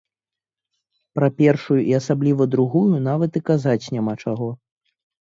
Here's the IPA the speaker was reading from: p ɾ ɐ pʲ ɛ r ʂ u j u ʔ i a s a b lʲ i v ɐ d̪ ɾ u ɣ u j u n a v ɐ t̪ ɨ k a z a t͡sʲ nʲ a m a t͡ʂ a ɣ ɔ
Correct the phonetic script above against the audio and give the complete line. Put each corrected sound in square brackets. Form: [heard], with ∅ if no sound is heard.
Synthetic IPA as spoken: p ɾ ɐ pʲ ɛ r ʂ u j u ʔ i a s a b lʲ i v ɐ d̪ ɾ u ɣ u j u n a v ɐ t̪ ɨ k a z a t͡sʲ nʲ a m a t͡ʂ a ɣ ɔ